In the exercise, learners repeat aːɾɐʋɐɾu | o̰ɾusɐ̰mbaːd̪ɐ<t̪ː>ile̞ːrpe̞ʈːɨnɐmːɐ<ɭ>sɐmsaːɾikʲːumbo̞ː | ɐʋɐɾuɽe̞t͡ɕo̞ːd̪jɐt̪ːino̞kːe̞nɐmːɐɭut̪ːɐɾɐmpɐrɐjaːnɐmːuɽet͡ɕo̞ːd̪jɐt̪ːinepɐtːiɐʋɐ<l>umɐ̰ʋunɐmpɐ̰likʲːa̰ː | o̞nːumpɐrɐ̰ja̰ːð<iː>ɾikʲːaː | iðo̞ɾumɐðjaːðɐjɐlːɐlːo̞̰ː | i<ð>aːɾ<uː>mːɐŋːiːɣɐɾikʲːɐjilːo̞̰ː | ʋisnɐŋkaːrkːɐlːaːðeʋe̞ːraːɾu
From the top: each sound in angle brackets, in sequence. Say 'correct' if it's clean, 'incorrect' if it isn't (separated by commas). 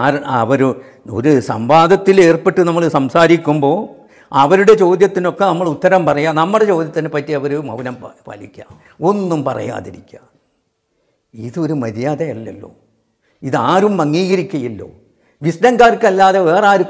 correct, correct, incorrect, incorrect, correct, incorrect